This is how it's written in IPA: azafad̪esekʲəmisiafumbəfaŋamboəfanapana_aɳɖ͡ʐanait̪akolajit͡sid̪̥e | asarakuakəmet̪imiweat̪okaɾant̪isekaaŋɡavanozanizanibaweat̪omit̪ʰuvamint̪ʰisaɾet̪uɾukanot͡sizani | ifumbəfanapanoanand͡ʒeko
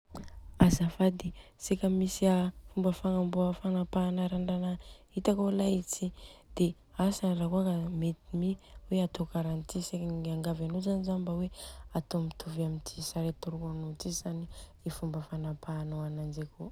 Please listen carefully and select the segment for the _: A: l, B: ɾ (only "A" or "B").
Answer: B